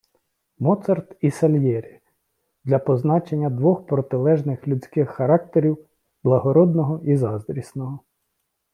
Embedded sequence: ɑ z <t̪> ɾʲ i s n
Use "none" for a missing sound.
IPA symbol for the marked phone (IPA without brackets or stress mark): d̪